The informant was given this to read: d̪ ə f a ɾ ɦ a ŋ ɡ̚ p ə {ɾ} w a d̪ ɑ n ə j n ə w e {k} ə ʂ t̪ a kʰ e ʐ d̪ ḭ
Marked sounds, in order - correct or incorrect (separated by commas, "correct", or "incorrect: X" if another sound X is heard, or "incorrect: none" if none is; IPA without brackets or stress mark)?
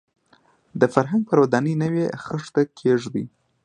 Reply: correct, incorrect: x